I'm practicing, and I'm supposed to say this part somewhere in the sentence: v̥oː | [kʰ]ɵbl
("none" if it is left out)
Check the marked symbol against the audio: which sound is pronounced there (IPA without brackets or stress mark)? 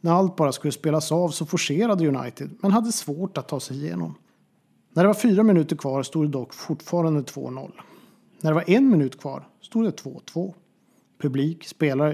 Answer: pʰ